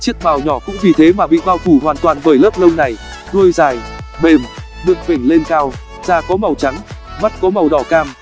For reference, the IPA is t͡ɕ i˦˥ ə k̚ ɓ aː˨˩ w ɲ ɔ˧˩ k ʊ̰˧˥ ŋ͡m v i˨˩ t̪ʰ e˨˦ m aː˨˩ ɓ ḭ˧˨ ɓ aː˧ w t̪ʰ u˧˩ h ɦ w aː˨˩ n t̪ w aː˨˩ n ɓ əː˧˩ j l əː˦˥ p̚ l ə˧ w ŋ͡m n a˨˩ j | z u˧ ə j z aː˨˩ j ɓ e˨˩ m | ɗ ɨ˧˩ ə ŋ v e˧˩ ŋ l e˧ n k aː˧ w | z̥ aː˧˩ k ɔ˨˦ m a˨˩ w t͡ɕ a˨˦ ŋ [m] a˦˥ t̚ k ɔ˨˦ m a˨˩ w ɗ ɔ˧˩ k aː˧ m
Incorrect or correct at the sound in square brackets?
correct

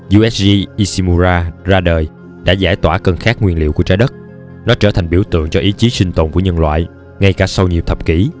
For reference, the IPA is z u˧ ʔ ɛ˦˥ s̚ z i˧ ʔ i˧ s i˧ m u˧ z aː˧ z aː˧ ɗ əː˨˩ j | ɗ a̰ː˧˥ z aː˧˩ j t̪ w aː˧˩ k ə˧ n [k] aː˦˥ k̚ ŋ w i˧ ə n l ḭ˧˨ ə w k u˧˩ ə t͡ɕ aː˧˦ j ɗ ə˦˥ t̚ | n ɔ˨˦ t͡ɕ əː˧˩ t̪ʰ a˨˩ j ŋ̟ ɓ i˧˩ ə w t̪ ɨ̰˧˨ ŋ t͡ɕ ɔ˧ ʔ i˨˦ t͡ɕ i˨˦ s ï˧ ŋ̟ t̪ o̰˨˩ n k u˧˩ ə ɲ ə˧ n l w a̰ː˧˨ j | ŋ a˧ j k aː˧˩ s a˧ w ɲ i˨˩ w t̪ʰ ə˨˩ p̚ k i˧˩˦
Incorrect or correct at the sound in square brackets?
incorrect: x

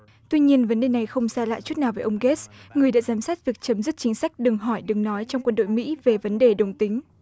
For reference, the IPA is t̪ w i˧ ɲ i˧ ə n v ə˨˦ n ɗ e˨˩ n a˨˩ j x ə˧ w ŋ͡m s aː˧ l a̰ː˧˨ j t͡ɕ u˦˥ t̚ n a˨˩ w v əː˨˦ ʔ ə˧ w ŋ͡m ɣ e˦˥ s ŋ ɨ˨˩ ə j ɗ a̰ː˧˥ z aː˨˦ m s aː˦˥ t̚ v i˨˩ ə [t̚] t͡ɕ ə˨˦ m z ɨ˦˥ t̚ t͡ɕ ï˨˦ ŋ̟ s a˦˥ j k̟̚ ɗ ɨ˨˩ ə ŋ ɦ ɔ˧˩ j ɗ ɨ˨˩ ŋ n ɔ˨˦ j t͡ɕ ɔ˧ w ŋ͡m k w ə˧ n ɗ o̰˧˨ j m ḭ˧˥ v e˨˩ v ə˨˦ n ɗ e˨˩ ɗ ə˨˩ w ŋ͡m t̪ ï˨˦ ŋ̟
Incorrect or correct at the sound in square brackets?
incorrect: k̚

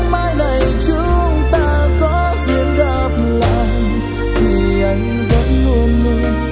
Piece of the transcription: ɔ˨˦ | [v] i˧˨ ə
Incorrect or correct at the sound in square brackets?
incorrect: z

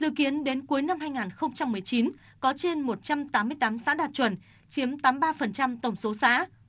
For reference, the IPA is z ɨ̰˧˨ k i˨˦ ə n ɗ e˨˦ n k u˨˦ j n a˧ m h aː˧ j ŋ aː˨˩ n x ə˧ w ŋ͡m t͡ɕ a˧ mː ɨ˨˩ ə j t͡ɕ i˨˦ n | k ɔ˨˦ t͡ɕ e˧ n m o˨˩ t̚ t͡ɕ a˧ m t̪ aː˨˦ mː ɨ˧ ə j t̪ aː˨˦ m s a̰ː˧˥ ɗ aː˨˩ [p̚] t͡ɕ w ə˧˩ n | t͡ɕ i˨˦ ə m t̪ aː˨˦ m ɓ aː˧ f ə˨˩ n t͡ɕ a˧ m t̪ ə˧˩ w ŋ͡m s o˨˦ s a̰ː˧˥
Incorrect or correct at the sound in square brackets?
incorrect: t̚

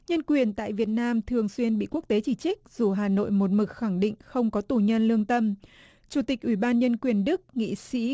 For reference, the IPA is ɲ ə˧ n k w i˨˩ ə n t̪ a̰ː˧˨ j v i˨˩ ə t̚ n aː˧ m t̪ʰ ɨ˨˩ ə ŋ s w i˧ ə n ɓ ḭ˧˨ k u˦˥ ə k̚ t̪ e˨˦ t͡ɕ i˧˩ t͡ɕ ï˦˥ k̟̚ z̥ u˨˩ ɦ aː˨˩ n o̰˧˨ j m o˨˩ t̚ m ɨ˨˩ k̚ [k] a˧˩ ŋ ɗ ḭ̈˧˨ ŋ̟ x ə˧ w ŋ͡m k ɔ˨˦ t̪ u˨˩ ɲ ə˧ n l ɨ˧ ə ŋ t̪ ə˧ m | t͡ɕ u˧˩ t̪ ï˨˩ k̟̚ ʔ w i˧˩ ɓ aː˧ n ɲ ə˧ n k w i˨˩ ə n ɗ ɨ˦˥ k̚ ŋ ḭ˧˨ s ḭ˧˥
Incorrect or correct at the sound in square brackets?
incorrect: x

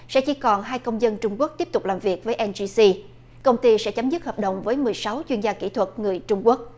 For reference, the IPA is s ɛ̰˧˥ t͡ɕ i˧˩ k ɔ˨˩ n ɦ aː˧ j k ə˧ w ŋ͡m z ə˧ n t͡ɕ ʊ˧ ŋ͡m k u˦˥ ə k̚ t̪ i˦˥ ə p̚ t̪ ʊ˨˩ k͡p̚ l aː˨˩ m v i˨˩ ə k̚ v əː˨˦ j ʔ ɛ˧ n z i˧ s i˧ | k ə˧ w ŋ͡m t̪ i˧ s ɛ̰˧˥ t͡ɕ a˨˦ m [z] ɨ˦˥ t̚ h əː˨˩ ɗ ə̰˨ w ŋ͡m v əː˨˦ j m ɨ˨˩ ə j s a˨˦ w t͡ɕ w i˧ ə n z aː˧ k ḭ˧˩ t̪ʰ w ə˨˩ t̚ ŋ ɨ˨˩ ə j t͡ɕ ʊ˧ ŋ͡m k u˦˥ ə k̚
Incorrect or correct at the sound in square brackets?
correct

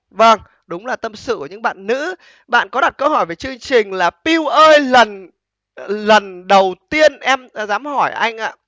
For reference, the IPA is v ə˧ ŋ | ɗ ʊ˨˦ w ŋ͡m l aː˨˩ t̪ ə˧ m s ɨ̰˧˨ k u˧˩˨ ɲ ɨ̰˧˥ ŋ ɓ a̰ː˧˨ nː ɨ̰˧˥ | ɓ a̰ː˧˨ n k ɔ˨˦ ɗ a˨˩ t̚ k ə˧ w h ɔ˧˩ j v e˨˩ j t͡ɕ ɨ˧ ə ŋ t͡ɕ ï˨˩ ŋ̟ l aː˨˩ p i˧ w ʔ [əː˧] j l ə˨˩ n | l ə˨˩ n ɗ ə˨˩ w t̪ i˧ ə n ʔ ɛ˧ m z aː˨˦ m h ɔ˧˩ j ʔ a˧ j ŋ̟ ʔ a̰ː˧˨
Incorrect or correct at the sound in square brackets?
correct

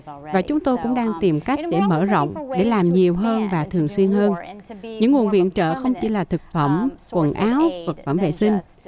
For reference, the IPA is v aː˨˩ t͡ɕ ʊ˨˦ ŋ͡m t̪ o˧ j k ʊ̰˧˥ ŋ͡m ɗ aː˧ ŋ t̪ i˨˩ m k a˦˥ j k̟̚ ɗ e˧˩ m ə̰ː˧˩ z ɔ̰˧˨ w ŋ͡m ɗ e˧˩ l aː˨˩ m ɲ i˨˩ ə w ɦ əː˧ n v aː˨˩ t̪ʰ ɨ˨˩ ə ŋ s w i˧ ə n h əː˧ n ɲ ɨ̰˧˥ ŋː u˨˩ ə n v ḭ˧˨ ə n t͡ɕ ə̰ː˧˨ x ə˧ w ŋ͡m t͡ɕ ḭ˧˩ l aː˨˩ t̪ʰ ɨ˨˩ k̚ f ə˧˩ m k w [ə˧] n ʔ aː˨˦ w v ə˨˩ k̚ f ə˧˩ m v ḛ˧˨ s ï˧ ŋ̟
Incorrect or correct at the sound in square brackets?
incorrect: ə˨˩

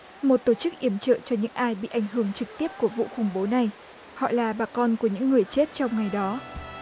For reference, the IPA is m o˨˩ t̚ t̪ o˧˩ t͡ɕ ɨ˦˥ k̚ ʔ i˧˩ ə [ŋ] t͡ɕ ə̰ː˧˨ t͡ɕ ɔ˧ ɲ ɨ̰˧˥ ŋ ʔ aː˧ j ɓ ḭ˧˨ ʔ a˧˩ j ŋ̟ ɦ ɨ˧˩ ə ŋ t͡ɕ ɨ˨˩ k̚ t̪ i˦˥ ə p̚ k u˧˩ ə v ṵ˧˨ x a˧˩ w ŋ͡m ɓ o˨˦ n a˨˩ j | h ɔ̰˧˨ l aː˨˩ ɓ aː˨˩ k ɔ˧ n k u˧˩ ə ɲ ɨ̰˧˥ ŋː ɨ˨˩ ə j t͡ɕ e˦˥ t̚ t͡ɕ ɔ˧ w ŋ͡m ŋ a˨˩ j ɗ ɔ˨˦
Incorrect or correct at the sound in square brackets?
incorrect: m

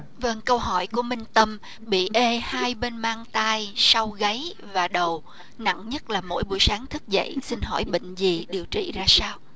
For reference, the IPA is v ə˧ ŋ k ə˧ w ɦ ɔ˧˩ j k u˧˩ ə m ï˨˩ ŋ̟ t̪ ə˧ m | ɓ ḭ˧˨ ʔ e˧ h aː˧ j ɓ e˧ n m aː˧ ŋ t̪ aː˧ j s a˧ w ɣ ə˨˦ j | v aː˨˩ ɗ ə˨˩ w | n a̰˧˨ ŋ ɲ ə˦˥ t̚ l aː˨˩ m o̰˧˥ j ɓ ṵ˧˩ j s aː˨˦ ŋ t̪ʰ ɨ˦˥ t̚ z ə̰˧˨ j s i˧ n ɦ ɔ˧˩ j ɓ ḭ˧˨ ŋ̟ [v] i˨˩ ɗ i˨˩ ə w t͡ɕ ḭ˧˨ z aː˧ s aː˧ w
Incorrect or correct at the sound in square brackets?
incorrect: z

